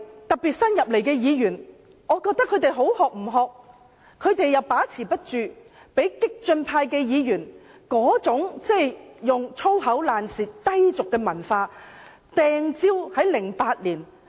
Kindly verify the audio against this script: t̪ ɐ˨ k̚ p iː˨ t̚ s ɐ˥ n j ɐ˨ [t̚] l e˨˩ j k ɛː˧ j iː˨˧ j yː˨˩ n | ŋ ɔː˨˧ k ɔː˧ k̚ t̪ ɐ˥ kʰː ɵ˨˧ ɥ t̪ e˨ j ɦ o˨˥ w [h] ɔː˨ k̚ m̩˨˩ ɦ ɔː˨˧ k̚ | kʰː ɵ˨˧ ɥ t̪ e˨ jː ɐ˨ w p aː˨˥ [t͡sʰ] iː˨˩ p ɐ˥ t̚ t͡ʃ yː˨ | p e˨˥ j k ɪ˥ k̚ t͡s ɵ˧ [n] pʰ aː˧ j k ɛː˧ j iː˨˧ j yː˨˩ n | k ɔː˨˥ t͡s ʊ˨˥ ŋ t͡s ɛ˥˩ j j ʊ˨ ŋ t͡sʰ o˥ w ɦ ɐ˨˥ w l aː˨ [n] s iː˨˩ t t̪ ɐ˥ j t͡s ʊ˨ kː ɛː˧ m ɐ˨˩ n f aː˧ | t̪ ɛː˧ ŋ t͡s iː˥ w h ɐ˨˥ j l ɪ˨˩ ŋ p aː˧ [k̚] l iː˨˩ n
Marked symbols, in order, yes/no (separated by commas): no, yes, yes, yes, yes, no